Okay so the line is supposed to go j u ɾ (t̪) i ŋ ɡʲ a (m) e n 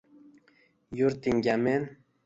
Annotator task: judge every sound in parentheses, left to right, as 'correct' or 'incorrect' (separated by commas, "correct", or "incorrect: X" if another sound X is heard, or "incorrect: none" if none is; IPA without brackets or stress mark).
correct, correct